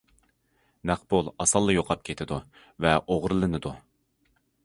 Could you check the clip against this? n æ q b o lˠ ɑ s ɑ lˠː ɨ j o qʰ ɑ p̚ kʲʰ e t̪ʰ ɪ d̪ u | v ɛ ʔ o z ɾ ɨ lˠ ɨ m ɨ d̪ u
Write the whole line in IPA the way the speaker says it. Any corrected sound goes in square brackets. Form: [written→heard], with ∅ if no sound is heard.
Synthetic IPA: n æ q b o lˠ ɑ s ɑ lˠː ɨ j o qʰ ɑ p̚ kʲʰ e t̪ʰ ɪ d̪ u | v ɛ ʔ o [z→ʁ] ɾ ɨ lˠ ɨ [m→n] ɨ d̪ u